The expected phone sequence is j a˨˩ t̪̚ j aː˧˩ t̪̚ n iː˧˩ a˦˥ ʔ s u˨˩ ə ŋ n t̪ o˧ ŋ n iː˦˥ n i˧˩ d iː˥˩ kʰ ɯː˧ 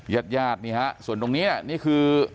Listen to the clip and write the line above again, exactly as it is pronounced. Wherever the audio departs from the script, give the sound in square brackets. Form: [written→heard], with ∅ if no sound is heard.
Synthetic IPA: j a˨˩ t̪̚ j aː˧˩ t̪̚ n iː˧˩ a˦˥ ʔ s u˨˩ ə [ŋ→∅] n t̪ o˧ ŋ n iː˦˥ n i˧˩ [d→n] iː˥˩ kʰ ɯː˧